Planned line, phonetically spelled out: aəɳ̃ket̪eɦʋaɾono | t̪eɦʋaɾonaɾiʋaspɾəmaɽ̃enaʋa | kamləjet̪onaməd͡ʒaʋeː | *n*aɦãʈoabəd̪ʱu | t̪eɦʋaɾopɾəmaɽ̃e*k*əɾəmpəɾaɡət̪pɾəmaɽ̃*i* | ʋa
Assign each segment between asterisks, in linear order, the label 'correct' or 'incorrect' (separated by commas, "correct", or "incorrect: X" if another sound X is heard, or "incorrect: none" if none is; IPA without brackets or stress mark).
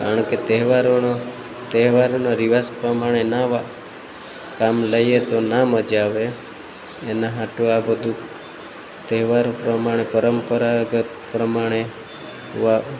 correct, incorrect: p, incorrect: e